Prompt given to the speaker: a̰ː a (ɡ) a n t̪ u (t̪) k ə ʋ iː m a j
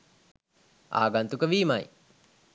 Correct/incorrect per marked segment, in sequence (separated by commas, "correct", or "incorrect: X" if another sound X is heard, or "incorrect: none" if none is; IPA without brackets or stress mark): correct, incorrect: none